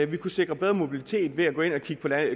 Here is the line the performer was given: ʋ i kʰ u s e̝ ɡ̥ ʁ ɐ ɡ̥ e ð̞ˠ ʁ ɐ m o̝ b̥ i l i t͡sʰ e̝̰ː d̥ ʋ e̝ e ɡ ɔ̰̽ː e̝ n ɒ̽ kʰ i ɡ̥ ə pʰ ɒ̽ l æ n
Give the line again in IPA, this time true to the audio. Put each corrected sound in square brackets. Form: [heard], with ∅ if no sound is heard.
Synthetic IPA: ʋ i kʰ u s e̝ ɡ̥ ʁ ɐ [b̥] e ð̞ˠ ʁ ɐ m o̝ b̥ i l i t͡sʰ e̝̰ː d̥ ʋ e̝ [æ] ɡ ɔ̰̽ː e̝ n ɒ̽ kʰ i ɡ̥ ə pʰ ɒ̽ l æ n

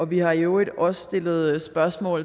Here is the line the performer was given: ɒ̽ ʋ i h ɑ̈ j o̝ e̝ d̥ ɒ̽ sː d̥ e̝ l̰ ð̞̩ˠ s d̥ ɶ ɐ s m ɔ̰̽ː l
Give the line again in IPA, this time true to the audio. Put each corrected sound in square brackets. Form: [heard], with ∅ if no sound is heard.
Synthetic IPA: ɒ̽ ʋ i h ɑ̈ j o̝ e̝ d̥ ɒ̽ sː d̥ e̝ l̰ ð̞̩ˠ s [b̥] ɶ ɐ s m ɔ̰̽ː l

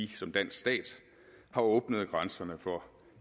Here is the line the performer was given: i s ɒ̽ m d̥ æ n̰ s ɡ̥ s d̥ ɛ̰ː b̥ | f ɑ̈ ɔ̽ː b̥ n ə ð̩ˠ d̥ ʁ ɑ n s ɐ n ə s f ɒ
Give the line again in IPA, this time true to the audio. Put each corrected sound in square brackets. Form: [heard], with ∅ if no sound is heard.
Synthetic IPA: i s ɒ̽ m d̥ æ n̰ s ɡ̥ s d̥ ɛ̰ː [d̥] | [h] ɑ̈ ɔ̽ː b̥ n ə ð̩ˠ [ɡ̥] ʁ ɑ n s ɐ n ə [∅] f ɒ

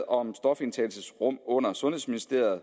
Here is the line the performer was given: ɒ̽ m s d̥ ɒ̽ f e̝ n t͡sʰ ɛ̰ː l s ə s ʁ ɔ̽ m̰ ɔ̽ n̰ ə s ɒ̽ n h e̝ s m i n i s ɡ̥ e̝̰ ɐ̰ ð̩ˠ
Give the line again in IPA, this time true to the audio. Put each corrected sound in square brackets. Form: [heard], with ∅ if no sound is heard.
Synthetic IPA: ɒ̽ m s d̥ ɒ̽ f e̝ n t͡sʰ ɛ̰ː l s ə s ʁ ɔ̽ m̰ ɔ̽ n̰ [ɐ] s [ɔ̽] n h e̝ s m i n i s [d̥] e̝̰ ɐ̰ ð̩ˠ

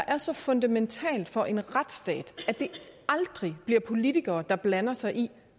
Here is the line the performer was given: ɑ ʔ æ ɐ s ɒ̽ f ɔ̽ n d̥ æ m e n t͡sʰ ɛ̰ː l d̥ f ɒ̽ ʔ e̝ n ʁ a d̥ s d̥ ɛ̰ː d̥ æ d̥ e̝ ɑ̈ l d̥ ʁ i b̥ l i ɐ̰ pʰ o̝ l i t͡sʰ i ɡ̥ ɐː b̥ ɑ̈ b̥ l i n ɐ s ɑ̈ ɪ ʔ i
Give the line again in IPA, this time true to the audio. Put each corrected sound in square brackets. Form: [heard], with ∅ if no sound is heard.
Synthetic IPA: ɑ ʔ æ ɐ s ɒ̽ f ɔ̽ n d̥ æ m e n t͡sʰ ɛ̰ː l d̥ f ɒ̽ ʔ e̝ n ʁ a d̥ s d̥ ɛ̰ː d̥ æ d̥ e̝ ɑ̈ l d̥ ʁ i b̥ l i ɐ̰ pʰ o̝ l i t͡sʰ i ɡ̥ ɐː [d̥] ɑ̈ b̥ l [æ] n ɐ s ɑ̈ ɪ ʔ i

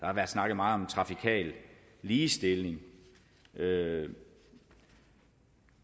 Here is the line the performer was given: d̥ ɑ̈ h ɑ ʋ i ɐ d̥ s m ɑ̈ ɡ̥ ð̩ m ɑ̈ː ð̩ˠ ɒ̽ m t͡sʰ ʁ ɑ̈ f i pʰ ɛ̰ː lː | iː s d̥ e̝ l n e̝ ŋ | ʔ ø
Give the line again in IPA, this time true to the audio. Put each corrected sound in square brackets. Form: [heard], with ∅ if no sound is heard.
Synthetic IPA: d̥ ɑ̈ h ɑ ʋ [æ] ɐ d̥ s [n] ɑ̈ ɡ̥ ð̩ m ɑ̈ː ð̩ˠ ɒ̽ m t͡sʰ ʁ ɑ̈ f i [kʰ] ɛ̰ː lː | iː s d̥ e̝ l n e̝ ŋ | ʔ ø

